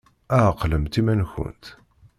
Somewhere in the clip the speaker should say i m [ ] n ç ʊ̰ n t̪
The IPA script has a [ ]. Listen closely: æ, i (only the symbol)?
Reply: æ